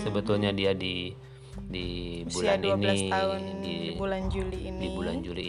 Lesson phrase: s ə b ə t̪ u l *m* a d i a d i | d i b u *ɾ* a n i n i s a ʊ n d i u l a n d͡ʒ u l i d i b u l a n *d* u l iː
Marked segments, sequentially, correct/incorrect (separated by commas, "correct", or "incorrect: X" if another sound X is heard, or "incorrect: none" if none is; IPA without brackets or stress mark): incorrect: ɲ, incorrect: l, incorrect: d͡ʒ